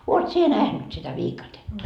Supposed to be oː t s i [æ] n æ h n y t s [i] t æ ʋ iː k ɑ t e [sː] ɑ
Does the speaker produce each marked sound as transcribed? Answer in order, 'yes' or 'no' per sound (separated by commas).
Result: no, yes, no